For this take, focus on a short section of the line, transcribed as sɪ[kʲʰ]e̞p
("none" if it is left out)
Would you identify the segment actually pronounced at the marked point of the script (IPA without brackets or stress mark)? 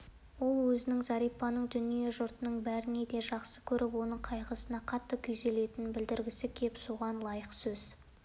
kʲʰ